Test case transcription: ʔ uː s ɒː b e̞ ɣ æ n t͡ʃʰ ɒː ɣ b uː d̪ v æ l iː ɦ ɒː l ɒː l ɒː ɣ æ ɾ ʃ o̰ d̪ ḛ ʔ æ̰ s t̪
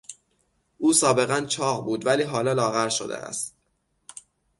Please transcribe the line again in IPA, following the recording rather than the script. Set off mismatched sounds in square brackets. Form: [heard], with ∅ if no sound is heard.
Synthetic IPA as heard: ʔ uː s ɒː b e̞ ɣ æ n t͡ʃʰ ɒː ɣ b uː d̪ v æ l iː ɦ ɒː l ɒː l ɒː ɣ æ ɾ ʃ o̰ d̪ ḛ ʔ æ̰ s t̪